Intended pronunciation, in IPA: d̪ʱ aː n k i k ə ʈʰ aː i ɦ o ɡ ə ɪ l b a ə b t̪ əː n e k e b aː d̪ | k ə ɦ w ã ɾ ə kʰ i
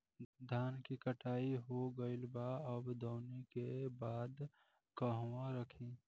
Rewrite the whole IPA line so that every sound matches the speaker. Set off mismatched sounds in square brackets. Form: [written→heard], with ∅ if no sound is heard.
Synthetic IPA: d̪ʱ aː n k i k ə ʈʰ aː i ɦ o ɡ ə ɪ l b a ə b [t̪→d̪] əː n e k e b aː d̪ | k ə ɦ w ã ɾ ə kʰ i